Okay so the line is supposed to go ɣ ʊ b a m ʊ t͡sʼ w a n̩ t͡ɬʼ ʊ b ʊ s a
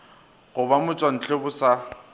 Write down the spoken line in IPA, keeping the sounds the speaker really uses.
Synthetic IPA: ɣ ʊ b a m ʊ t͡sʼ w a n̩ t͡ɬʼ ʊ b ʊ s a